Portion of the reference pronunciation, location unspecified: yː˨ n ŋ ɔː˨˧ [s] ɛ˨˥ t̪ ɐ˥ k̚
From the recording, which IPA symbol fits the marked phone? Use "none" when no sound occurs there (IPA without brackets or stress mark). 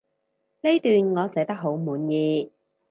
s